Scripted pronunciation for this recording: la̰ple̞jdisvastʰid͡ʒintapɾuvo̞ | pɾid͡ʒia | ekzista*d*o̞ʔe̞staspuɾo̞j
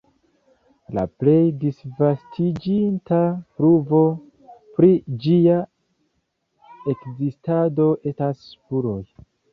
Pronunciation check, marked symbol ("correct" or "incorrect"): correct